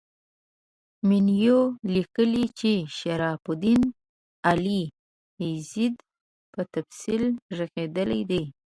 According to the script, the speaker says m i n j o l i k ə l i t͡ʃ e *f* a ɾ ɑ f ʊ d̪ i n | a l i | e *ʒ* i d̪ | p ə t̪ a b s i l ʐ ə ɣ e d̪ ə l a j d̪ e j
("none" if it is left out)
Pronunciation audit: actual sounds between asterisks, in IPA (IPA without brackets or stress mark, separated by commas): ʃ, z